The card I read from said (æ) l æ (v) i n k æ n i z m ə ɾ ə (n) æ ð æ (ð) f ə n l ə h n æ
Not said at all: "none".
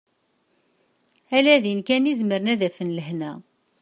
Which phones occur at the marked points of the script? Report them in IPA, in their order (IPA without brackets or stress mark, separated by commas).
æ, ð, n, none